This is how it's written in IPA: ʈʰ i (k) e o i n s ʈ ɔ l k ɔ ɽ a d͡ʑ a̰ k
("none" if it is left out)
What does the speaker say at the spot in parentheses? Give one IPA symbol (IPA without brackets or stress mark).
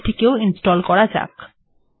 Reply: k